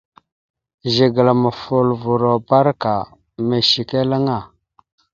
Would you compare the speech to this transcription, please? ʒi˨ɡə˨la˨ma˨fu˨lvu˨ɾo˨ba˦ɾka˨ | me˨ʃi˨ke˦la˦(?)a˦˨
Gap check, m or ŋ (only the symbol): ŋ